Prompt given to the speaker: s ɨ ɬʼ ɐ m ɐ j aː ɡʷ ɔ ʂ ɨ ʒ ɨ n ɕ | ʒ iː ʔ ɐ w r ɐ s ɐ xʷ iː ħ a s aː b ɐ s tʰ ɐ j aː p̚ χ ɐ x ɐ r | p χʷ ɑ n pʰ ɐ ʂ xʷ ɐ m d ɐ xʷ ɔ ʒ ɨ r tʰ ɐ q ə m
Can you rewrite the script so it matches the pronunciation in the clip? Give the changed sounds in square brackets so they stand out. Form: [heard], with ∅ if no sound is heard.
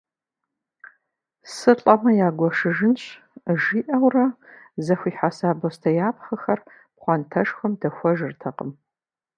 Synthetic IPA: s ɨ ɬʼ ɐ m ɐ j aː ɡʷ ɔ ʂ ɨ ʒ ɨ n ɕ | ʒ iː ʔ ɐ w r ɐ [z] ɐ xʷ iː ħ a s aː b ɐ s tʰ ɐ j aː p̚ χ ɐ x ɐ r | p χʷ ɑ n [tʰ] ɐ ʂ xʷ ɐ m d ɐ xʷ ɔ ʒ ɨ r tʰ ɐ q ə m